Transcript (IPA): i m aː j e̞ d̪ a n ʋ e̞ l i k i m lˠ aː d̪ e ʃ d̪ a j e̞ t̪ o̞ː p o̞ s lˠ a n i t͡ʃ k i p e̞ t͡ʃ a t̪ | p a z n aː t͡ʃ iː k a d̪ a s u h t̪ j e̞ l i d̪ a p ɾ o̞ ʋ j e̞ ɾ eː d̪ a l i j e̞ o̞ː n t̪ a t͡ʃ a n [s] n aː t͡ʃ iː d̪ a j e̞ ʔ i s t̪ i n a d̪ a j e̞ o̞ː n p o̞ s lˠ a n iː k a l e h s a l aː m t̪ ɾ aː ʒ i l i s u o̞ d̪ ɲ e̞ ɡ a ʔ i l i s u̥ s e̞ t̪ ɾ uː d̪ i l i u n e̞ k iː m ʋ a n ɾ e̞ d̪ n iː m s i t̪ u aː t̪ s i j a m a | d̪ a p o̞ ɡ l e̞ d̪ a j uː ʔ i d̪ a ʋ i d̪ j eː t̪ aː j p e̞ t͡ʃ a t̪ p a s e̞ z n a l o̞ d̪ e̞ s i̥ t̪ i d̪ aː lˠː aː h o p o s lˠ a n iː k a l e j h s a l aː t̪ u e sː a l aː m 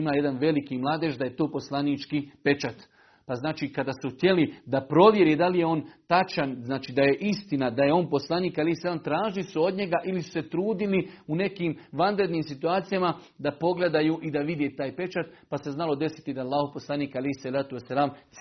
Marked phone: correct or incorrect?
incorrect